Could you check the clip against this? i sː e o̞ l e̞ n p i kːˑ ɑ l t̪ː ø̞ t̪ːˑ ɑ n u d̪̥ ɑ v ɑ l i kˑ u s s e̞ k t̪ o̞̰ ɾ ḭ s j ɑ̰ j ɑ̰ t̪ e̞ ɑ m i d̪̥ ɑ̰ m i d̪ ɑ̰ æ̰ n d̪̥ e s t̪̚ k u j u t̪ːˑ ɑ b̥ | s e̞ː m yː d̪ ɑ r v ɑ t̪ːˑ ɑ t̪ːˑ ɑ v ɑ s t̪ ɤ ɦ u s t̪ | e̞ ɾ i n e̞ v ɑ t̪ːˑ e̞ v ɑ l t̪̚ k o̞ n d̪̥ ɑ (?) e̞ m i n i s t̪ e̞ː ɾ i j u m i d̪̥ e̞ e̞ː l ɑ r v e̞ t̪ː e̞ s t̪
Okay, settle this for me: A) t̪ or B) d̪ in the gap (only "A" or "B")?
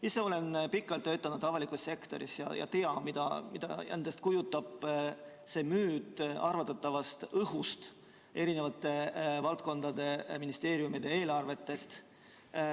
B